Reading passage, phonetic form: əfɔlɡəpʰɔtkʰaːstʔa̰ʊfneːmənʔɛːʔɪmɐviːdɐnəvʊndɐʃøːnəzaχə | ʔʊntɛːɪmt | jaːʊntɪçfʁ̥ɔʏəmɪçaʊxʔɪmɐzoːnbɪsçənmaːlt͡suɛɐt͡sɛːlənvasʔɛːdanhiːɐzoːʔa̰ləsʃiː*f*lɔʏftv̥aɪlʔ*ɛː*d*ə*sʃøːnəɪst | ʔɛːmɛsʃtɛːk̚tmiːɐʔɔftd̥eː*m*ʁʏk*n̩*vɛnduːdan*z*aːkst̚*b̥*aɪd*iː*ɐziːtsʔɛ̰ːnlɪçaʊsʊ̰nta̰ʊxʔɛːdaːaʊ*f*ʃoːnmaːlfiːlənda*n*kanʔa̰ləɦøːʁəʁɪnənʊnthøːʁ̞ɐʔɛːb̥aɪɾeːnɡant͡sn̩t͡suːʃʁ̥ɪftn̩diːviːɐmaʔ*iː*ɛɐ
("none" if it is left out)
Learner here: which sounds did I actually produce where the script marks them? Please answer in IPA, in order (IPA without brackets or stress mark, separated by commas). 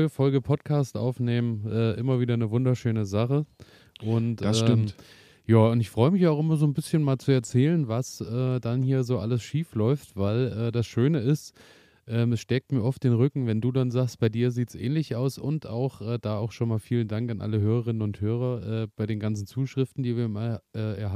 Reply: f, ɛː, a, n, ŋ̩, z, b̥, iː, x, ŋ, ɛː